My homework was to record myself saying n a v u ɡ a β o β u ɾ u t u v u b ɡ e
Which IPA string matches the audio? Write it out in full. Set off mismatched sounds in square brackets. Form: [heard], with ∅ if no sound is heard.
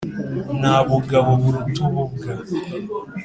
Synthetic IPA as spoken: n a [β] u ɡ a β o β u ɾ u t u [β] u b ɡ [a]